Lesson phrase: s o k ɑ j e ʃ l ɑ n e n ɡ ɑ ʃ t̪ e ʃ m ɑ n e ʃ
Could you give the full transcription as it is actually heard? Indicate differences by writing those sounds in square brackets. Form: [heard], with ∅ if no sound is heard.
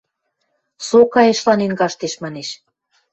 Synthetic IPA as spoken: s o k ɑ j e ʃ l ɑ n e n ɡ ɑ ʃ t̪ e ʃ m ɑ n e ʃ